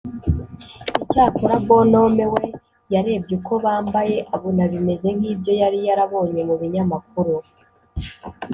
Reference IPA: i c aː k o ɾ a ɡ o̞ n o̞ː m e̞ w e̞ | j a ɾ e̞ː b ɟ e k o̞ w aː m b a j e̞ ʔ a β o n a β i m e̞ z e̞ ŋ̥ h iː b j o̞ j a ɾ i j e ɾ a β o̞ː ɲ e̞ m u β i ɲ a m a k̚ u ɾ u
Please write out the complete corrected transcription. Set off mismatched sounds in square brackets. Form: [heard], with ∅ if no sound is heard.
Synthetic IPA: i c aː k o ɾ a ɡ o̞ n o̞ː m e̞ w e̞ | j a ɾ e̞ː b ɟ e k o̞ [β] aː m b a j e̞ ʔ a β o n a β i m e̞ z e̞ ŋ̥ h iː b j o̞ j a ɾ i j [a] ɾ a β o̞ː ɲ e̞ m u β i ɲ a m a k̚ u ɾ u